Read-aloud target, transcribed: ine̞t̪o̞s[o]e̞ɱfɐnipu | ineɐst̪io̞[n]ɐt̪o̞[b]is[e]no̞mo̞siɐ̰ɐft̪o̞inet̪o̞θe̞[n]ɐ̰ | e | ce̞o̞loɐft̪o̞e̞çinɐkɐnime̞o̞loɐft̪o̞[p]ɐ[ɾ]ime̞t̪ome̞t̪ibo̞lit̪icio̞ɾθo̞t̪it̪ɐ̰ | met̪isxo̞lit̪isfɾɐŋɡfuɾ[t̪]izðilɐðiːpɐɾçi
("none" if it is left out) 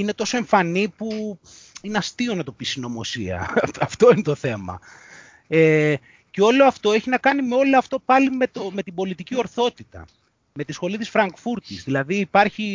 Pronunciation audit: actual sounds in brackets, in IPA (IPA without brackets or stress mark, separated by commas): o, n, p, i, m, p, l, t̪